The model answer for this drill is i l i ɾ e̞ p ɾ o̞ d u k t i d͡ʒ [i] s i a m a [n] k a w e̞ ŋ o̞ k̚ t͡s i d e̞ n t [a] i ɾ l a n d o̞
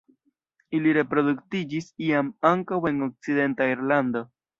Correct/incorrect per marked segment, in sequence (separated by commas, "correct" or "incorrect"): correct, incorrect, correct